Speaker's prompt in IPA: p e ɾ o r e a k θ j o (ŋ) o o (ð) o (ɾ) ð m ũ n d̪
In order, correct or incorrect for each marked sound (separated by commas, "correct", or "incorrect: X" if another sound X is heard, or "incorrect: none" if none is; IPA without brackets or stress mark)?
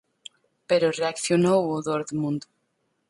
incorrect: n, correct, correct